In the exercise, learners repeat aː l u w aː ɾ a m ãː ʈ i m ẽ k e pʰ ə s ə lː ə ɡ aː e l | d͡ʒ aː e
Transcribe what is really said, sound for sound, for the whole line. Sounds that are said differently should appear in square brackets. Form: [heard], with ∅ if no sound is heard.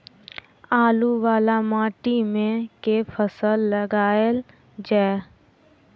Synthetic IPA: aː l u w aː [l] a m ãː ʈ i m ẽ k e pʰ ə s ə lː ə ɡ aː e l | d͡ʒ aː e